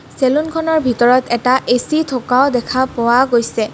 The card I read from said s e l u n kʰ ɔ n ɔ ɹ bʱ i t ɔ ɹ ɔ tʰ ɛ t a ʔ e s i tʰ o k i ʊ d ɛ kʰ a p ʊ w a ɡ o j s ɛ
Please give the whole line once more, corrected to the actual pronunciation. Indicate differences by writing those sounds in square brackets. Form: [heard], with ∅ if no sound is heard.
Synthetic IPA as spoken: s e l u n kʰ ɔ n ɔ ɹ bʱ i t ɔ ɹ ɔ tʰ ɛ t a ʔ e s i tʰ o k [a] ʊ d ɛ kʰ a p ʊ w a ɡ o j s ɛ